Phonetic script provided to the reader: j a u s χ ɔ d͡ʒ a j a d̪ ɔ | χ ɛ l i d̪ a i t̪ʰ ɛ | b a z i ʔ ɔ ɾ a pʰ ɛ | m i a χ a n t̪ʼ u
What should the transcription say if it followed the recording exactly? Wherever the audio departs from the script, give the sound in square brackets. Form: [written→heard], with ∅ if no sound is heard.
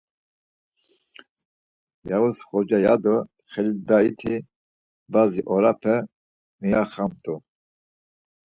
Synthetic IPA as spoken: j a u s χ ɔ d͡ʒ a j a d̪ ɔ | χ ɛ l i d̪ a i t̪ʰ [ɛ→i] | b a z i ʔ ɔ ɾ a pʰ ɛ | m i a χ a [n→m] t̪ʼ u